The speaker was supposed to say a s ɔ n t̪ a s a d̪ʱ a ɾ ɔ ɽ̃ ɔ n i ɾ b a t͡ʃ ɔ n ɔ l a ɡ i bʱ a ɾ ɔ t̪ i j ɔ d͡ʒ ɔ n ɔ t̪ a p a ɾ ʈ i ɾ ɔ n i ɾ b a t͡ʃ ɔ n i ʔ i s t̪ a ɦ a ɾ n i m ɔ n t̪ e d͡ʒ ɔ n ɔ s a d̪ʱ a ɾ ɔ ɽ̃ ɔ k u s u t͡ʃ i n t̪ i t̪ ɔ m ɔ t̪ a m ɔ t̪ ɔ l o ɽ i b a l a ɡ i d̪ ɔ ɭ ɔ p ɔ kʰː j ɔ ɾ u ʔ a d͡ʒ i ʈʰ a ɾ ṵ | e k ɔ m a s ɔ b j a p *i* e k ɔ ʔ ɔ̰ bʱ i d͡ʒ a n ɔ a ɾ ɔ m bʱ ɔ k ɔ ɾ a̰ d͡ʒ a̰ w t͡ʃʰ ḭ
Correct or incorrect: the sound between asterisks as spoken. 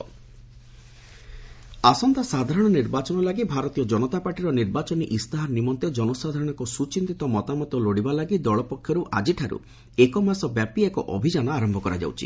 correct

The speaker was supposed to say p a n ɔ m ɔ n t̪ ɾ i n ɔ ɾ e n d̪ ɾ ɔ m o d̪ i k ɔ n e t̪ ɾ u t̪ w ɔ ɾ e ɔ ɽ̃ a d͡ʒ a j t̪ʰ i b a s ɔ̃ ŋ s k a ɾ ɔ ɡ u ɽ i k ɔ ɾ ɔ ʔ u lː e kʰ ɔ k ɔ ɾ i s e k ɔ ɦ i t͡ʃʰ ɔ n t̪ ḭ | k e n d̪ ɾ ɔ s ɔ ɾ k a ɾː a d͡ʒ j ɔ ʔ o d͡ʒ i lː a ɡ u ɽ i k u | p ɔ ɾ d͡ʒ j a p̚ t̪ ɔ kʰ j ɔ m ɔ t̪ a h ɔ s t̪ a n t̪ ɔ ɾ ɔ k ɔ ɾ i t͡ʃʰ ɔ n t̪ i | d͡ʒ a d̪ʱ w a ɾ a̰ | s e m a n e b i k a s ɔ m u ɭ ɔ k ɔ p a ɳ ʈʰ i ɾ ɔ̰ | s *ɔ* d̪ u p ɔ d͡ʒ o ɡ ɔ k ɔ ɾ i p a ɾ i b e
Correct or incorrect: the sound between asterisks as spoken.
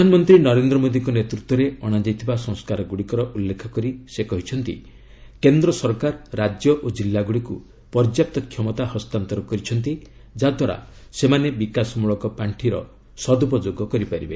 correct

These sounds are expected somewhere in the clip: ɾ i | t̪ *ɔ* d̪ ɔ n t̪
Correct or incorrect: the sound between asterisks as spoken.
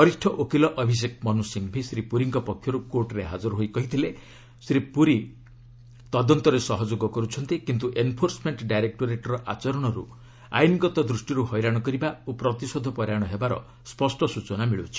correct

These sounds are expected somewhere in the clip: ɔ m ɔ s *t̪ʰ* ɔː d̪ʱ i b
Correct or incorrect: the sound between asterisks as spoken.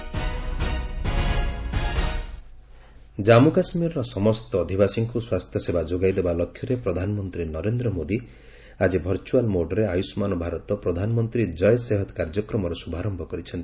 incorrect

